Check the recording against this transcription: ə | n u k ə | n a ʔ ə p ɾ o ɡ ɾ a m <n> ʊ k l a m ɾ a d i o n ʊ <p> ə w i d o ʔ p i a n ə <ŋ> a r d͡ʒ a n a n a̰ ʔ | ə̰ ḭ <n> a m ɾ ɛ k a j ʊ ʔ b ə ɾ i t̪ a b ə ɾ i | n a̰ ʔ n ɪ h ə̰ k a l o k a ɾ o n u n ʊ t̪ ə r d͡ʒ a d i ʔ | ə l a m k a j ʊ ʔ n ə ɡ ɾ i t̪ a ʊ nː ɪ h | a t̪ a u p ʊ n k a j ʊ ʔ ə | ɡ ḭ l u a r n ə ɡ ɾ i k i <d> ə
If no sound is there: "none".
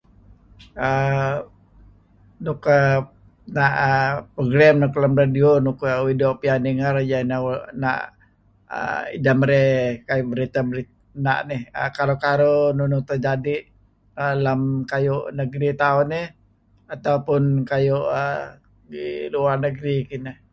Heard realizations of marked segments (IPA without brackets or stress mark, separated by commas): n, k, ŋ, d, n